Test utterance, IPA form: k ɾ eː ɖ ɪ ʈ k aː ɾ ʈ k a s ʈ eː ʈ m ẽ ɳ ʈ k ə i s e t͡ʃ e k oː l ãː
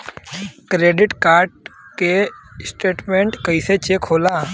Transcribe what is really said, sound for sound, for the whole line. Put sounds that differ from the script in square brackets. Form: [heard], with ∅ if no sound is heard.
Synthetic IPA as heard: k ɾ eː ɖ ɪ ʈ k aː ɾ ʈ k [e] s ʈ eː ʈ m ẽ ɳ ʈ k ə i s e t͡ʃ e [kʰ] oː l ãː